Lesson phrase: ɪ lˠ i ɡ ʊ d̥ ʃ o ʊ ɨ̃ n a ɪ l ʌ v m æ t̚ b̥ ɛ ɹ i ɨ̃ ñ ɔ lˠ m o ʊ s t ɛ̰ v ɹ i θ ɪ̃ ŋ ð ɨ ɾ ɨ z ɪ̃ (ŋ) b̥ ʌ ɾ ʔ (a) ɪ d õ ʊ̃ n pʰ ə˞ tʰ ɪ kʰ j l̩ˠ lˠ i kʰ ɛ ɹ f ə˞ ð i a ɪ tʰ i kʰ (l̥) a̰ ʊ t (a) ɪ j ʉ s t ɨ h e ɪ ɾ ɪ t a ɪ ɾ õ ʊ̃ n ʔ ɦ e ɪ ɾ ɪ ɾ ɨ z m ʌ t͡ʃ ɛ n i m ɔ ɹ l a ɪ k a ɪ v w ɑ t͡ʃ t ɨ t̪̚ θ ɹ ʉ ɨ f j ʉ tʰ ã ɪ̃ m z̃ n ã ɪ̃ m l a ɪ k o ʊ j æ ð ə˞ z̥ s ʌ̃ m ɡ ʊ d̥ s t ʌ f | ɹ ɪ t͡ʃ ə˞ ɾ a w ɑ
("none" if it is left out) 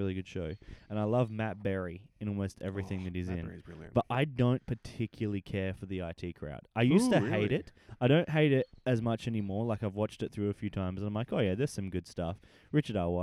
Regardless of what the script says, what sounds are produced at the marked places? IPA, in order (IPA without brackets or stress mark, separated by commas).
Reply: n, a, ɹ̥, a